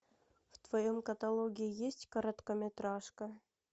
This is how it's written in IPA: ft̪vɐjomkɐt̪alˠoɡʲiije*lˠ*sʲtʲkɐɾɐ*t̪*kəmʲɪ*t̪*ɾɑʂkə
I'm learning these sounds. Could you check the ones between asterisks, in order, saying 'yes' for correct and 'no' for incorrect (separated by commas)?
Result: no, yes, yes